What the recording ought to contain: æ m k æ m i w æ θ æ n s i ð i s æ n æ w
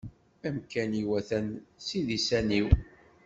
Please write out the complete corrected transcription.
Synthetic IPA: æ m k æ n i w æ θ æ n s i ð i s æ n i w